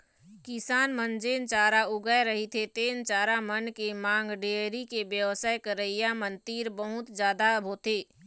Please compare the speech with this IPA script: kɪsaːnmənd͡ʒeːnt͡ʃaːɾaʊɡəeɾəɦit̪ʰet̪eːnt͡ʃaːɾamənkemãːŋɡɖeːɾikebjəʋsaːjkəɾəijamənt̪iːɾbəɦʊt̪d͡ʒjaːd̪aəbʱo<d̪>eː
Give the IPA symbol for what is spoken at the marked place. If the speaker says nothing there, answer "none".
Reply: t̪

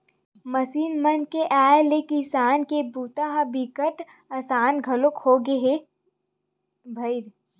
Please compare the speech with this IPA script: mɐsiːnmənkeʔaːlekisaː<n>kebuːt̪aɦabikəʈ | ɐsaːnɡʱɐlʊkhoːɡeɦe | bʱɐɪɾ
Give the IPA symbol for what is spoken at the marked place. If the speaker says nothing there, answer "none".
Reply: n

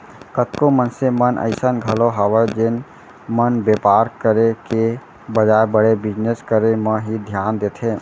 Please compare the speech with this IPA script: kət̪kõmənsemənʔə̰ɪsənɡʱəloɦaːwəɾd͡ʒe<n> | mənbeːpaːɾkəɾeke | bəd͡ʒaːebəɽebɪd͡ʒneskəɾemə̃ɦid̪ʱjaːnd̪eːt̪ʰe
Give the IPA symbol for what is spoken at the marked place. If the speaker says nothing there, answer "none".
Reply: n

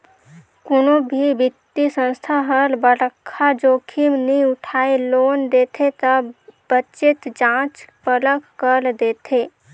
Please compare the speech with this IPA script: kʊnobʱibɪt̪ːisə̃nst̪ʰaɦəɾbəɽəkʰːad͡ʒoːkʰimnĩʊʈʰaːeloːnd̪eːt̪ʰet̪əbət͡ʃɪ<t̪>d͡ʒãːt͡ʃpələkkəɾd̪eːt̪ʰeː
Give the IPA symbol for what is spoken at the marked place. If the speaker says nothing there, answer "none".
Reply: t̪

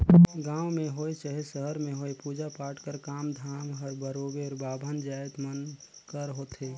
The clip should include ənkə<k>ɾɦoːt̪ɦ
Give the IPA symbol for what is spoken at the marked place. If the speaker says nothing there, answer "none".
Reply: none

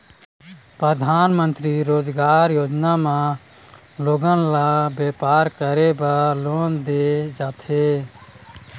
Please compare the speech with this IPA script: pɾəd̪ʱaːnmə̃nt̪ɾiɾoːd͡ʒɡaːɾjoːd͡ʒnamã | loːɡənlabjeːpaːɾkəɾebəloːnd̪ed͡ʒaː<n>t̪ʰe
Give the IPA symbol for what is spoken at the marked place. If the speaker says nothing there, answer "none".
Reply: none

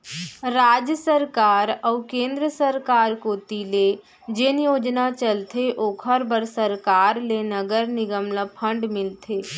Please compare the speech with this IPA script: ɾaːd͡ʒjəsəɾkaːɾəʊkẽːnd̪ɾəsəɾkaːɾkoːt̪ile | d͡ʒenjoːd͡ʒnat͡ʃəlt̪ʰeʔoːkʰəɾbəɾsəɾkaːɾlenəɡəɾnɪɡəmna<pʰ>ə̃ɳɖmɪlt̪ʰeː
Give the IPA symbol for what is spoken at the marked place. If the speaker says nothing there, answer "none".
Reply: pʰ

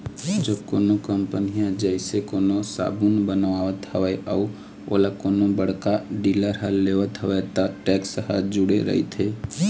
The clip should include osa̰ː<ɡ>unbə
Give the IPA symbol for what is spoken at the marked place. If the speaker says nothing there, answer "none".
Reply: b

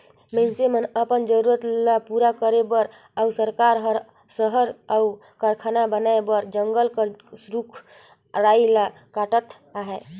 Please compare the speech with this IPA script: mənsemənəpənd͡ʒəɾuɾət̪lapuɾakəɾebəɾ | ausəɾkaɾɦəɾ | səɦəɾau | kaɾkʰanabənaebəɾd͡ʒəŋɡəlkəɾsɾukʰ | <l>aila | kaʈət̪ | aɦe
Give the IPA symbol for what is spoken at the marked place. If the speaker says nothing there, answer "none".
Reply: ɾ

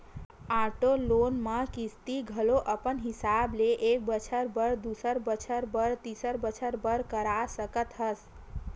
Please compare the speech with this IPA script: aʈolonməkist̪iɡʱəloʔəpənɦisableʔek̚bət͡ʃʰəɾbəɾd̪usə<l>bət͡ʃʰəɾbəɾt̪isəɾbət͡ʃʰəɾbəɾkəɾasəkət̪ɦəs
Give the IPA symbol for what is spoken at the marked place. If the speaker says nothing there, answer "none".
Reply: ɾ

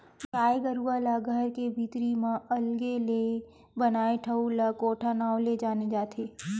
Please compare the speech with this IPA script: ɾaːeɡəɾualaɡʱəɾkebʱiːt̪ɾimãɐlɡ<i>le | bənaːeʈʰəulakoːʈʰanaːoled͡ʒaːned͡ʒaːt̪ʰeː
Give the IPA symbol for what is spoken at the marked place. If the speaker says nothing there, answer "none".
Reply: e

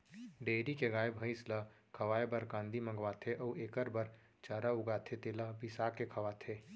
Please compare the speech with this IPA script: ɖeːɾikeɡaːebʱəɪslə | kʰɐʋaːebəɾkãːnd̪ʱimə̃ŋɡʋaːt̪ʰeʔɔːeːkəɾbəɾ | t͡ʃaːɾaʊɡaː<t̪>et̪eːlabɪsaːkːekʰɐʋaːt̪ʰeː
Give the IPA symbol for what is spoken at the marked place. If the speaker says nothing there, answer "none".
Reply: t̪ʰ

